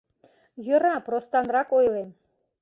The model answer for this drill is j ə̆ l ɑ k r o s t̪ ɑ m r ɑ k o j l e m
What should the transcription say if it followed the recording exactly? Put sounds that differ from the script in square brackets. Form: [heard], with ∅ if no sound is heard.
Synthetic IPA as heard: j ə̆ [ɾ] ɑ [p] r o s t̪ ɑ [n] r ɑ k o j l e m